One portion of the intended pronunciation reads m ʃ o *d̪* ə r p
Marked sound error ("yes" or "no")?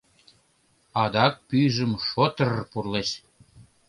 yes